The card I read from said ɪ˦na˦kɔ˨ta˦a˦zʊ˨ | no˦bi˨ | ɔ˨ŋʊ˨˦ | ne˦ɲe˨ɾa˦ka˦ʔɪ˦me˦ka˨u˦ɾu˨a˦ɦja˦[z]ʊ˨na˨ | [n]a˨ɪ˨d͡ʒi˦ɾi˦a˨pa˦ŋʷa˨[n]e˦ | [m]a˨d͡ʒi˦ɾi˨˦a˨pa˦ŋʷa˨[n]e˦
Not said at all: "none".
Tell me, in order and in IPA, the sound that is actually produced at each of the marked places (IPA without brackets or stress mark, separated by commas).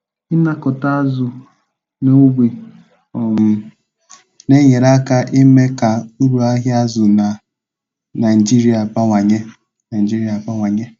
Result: z, n, ɲ, n, ɲ